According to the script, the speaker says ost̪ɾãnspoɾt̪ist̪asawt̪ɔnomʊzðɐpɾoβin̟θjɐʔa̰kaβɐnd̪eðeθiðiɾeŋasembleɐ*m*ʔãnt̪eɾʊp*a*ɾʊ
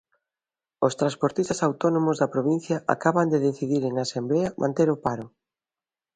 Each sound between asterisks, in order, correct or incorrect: correct, correct

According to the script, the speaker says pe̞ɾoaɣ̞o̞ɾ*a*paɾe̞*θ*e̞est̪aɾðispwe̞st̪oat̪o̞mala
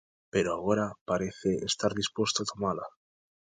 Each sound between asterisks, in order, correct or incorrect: correct, correct

